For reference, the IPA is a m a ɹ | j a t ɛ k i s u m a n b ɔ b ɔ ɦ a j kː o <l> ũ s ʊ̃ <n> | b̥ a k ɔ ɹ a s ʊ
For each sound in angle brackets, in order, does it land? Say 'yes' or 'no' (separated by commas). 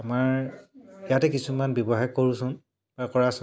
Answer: no, yes